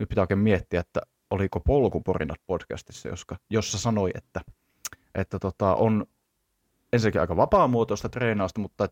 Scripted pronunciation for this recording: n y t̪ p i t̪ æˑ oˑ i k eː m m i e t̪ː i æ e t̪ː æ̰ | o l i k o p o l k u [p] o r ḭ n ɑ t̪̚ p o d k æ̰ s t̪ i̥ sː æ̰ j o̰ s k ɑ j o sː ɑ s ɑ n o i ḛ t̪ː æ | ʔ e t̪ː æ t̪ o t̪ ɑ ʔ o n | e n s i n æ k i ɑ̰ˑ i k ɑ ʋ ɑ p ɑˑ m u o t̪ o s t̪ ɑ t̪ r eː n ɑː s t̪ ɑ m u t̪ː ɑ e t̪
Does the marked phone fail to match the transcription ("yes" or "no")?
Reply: no